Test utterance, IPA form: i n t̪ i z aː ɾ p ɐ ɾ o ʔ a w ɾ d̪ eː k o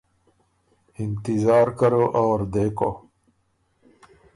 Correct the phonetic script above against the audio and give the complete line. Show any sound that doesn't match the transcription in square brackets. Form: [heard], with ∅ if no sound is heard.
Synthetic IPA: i n t̪ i z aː ɾ [k] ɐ ɾ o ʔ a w ɾ d̪ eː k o